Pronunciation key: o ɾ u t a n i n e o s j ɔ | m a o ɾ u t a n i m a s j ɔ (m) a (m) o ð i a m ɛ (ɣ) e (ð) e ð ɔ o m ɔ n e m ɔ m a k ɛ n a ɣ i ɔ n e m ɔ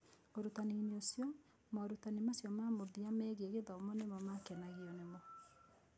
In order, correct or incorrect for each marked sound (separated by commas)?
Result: correct, correct, correct, incorrect